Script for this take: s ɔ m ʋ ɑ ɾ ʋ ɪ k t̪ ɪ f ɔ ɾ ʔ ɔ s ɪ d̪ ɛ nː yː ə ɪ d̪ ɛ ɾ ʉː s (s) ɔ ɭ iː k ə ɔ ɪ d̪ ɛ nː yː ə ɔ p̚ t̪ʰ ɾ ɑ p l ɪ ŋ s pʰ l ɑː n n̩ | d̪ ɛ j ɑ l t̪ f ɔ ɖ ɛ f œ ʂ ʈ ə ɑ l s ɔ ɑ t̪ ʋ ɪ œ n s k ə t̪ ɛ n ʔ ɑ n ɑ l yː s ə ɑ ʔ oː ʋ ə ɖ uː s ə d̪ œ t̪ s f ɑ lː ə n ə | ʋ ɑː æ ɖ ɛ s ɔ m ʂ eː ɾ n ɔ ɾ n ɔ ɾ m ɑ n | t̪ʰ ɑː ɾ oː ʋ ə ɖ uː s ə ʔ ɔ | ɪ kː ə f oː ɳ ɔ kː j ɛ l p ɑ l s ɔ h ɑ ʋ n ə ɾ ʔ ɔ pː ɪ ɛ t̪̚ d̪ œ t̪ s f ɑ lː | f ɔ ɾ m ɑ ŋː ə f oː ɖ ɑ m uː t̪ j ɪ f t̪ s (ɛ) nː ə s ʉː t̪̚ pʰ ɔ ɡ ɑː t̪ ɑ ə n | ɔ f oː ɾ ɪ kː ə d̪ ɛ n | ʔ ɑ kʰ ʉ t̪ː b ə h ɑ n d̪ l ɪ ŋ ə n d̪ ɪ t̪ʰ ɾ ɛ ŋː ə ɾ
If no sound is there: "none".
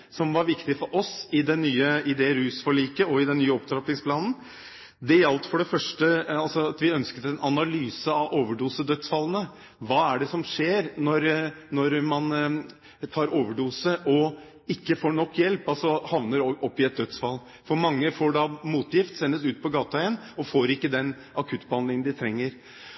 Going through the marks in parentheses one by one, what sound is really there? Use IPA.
f, ɛ

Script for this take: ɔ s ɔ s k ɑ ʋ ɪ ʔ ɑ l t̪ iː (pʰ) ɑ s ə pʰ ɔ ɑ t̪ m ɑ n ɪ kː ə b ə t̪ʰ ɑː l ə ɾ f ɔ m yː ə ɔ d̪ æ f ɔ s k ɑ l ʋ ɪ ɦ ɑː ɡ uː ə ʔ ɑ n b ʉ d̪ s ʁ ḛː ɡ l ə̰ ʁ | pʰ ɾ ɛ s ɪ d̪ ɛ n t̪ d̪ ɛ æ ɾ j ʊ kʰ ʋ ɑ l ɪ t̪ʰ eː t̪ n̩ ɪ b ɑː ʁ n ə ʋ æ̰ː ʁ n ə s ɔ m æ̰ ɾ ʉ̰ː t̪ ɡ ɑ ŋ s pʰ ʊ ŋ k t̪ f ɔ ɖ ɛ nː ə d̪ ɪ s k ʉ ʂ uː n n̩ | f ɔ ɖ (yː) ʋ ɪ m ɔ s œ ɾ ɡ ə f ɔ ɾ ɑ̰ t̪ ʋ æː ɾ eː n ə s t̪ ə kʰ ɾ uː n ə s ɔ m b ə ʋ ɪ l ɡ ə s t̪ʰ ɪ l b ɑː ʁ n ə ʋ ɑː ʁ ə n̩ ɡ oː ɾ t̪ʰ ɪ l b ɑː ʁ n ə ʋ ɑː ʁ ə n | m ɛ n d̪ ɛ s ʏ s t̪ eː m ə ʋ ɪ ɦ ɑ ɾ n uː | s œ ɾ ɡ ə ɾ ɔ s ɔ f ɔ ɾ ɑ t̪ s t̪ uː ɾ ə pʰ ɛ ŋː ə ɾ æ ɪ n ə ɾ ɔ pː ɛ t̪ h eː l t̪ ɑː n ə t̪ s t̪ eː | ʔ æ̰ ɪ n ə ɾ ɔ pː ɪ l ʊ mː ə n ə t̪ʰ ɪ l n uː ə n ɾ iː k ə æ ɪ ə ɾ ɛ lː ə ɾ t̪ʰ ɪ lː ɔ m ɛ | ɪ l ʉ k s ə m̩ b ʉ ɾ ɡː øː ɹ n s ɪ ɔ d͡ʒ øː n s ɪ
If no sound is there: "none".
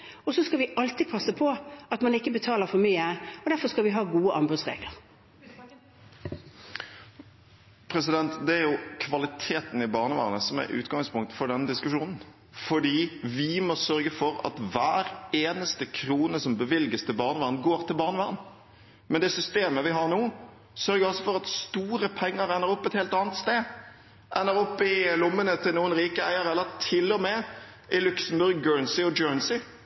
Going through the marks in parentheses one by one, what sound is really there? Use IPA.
pʰ, iː

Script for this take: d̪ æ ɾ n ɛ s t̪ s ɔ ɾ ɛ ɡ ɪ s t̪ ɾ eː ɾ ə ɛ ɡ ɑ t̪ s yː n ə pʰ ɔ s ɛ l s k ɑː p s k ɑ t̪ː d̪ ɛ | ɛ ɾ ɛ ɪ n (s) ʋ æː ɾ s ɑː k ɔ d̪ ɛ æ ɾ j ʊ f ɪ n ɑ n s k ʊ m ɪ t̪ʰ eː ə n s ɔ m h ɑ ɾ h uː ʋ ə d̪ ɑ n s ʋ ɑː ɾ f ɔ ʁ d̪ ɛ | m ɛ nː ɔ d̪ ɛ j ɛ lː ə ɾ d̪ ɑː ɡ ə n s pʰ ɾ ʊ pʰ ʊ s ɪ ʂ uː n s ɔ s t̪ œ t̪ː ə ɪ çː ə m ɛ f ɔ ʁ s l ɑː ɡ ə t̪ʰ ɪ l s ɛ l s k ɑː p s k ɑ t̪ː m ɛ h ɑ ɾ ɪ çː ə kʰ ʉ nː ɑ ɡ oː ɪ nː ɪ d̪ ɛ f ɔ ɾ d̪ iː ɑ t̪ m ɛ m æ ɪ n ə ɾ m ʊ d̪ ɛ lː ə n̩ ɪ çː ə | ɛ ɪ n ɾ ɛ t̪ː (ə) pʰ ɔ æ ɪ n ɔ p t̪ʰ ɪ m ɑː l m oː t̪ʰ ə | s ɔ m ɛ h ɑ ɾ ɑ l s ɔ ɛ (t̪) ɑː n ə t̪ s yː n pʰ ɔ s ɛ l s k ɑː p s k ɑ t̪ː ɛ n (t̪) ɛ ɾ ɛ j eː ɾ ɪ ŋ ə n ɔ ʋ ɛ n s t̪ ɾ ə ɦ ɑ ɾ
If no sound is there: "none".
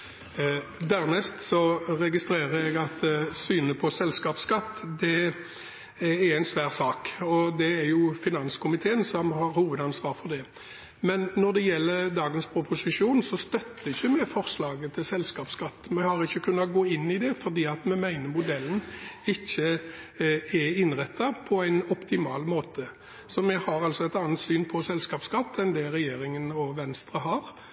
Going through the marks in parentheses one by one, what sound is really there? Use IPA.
s, ɑ, t̪, d̪

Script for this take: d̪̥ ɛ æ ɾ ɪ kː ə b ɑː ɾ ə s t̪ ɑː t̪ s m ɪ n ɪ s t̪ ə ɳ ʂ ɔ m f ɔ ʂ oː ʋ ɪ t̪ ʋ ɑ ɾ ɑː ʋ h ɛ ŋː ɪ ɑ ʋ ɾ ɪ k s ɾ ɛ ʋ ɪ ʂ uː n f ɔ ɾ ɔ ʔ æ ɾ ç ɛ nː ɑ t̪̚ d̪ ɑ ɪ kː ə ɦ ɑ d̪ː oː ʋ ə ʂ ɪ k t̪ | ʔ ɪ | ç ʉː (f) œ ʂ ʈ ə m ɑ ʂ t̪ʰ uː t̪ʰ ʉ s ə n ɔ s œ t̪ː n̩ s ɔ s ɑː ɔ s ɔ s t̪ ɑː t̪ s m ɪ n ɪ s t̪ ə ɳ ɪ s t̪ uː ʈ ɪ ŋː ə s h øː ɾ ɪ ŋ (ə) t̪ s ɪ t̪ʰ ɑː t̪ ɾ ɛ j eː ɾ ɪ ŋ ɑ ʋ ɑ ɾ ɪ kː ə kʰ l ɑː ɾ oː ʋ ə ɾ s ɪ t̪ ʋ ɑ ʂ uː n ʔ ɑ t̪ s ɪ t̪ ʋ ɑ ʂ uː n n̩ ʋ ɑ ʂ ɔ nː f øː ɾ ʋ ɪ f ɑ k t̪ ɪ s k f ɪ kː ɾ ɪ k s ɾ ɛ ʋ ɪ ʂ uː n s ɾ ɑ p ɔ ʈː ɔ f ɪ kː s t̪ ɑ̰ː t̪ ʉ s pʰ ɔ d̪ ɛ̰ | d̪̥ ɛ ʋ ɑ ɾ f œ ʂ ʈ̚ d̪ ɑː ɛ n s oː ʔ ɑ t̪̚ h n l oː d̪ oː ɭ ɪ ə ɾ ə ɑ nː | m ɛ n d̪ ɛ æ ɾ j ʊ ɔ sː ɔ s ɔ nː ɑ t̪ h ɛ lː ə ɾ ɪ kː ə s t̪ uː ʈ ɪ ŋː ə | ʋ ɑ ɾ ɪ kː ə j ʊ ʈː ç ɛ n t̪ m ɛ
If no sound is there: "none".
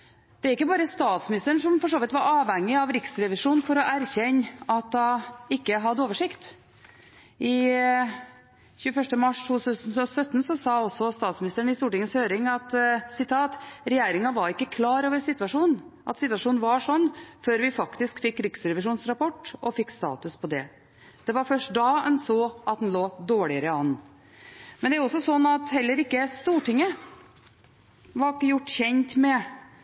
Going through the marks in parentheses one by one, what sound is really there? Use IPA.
f, ɑ

